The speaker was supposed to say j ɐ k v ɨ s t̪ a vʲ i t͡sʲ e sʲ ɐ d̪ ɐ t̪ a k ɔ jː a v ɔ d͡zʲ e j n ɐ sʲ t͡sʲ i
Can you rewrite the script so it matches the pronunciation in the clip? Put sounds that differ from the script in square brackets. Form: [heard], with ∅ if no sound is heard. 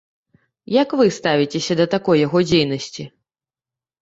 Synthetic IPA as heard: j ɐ k v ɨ s t̪ a vʲ i t͡sʲ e sʲ ɐ d̪ ɐ t̪ a k ɔ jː a [ɣ] ɔ d͡zʲ e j n ɐ sʲ t͡sʲ i